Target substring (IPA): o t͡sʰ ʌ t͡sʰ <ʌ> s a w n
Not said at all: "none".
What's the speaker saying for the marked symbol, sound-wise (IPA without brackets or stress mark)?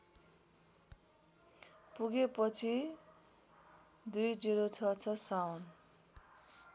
ʌ